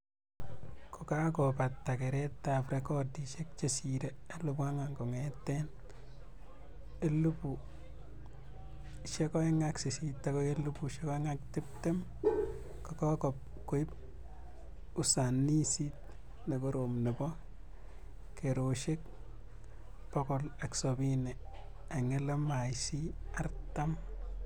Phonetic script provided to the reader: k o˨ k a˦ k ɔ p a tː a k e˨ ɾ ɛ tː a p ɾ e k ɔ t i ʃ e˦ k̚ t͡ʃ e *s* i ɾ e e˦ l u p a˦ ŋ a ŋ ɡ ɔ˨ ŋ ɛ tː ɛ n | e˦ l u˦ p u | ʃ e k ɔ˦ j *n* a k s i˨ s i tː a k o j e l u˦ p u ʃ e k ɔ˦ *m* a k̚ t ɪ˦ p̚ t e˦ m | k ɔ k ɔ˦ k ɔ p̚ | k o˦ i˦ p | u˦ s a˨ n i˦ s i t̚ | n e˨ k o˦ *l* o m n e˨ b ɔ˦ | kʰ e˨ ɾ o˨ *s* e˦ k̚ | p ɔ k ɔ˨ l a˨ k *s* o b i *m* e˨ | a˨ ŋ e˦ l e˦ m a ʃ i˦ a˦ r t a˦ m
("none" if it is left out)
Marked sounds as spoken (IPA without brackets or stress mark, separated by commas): s, ŋ, ŋ, ɾ, ʃ, s, n